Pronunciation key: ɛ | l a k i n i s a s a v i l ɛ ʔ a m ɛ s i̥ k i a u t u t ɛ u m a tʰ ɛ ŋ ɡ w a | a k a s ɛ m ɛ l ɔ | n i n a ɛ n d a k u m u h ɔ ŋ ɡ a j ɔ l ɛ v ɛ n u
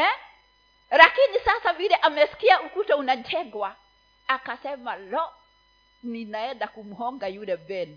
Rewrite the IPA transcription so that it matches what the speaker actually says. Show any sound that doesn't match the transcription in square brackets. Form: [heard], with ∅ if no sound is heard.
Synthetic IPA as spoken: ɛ | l a k i n i s a s a v i l ɛ ʔ a m ɛ s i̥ k i a u [k] u t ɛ u [n] a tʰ ɛ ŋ ɡ w a | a k a s ɛ m [a] l ɔ | n i n a ɛ n d a k u m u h ɔ ŋ ɡ a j [u] l ɛ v ɛ n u